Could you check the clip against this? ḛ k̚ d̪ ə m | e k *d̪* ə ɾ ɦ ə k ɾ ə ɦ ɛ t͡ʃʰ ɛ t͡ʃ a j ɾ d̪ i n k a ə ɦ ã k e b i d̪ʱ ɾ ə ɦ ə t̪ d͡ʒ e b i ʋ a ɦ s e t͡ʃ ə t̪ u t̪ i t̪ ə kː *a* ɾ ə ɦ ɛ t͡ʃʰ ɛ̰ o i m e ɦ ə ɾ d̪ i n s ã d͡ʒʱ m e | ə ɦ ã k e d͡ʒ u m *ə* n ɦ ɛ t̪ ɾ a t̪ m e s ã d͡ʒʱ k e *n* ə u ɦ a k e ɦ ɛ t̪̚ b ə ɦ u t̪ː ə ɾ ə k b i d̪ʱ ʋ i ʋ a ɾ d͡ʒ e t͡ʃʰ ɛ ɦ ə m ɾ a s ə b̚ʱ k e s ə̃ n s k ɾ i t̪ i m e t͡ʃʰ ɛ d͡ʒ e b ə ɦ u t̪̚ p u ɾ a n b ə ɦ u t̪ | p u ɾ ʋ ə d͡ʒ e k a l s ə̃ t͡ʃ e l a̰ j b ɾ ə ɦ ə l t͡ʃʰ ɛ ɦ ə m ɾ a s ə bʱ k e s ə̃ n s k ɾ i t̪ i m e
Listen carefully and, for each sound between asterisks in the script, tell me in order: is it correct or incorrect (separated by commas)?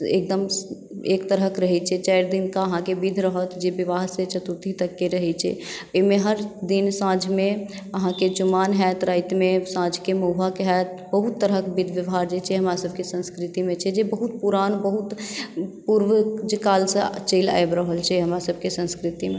incorrect, incorrect, incorrect, incorrect